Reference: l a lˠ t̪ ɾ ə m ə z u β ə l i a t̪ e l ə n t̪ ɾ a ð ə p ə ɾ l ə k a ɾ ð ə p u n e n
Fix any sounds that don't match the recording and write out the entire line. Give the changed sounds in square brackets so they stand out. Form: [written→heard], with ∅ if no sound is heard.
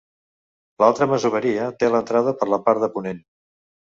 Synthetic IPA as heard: l a lˠ t̪ ɾ ə m ə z u β ə [l→ɾ] i [a→ə] t̪ e l ə n t̪ ɾ a ð ə p ə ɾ l ə [k→p] a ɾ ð ə p u n e n